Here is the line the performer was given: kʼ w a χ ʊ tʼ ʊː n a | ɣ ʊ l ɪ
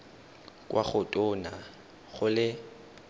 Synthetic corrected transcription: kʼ w a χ ʊ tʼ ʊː n a | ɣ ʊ l ɪ